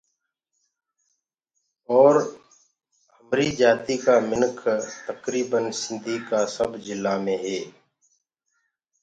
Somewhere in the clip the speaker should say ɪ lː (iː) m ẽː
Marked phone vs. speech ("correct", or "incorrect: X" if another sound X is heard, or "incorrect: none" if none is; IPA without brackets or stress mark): incorrect: aː